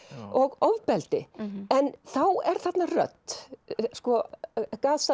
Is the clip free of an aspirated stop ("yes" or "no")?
yes